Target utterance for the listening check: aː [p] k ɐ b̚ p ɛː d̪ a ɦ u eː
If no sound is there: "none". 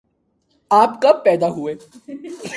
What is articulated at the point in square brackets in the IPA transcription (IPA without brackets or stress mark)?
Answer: p